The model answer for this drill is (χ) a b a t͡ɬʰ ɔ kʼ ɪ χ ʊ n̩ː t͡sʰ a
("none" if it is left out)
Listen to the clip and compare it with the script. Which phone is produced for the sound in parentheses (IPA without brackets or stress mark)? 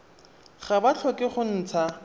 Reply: χ